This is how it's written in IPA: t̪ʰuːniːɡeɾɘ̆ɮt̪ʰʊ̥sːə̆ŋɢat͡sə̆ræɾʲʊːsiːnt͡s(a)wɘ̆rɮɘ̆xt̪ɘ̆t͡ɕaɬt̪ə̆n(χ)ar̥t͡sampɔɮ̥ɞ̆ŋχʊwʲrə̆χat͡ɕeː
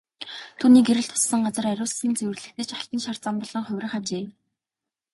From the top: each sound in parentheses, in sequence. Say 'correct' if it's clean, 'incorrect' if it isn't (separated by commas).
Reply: incorrect, incorrect